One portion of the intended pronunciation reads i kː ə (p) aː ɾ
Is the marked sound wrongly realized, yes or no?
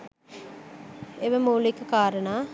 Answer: yes